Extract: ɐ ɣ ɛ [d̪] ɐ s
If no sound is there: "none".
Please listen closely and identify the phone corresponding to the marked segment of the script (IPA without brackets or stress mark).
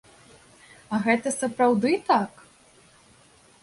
t̪